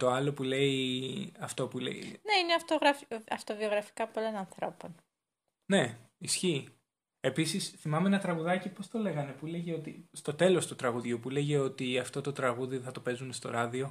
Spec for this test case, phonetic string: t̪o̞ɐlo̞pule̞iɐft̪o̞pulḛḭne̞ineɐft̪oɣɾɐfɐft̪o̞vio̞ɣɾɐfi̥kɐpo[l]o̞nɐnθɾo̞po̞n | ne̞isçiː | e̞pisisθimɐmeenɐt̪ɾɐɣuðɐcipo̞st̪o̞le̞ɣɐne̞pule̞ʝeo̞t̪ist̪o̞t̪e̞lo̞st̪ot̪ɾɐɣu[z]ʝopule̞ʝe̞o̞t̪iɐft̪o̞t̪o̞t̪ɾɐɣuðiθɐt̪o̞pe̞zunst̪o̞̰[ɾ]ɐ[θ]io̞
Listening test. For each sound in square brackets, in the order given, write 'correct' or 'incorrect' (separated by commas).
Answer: correct, incorrect, correct, incorrect